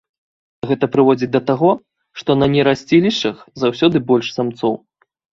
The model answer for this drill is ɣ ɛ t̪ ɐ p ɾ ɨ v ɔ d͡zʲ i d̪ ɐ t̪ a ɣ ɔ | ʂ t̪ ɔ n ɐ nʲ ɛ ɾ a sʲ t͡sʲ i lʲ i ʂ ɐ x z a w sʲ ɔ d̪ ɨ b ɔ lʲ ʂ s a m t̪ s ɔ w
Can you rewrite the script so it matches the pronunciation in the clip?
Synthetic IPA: ɣ ɛ t̪ ɐ p ɾ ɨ v ɔ d͡zʲ i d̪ ɐ t̪ a ɣ ɔ | ʂ t̪ ɔ n ɐ nʲ ɛ ɾ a sʲ t͡sʲ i lʲ i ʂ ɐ x z a w sʲ ɔ d̪ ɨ b ɔ lʲ ʂ s a m t̪ s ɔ w